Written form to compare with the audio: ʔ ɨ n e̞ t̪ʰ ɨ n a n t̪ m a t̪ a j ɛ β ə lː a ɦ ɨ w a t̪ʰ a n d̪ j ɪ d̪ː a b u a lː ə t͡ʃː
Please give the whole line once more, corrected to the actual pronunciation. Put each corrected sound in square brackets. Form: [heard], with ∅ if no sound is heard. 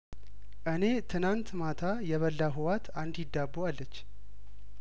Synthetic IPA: ʔ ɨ n e̞ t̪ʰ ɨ n a n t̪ m a [t̪ʰ] a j ɛ β ə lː a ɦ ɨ w a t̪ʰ a n d̪ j ɪ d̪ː a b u a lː ə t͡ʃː